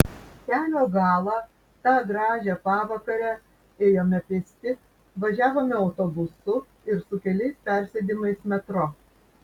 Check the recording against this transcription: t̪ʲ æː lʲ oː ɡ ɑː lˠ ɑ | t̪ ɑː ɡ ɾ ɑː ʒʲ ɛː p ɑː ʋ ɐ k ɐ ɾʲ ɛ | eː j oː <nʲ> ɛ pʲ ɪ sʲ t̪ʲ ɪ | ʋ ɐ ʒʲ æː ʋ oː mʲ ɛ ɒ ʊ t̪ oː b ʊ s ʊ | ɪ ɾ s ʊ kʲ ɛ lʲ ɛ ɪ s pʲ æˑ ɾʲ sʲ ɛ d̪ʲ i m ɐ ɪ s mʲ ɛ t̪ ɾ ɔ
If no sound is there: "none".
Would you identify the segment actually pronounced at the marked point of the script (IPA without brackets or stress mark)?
mʲ